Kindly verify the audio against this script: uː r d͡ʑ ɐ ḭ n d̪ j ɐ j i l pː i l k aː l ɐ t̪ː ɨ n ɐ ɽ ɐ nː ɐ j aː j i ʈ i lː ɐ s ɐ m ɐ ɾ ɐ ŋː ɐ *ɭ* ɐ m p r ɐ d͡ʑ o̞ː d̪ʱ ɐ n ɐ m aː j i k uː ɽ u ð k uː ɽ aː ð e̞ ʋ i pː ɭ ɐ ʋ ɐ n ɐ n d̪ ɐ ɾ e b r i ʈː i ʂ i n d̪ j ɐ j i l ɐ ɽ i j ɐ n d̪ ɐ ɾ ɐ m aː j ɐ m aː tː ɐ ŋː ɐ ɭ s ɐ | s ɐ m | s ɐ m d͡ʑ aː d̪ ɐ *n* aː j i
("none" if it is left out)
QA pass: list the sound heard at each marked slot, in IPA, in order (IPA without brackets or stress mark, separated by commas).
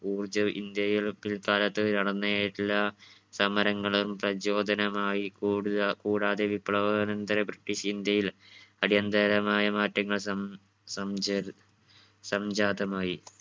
ɭ, m